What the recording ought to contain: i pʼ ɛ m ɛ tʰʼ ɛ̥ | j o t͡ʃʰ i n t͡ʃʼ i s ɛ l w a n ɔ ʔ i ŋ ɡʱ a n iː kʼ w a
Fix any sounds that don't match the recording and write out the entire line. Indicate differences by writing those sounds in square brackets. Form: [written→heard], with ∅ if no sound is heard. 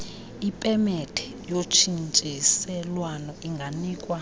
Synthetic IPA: i pʼ ɛ m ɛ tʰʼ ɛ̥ | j o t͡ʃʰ i n t͡ʃʼ i s ɛ l w a n ɔ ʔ i ŋ ɡʱ a n iː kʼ w a